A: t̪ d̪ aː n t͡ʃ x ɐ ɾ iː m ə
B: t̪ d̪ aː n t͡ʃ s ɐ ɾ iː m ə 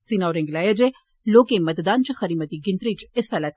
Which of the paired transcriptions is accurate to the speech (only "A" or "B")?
A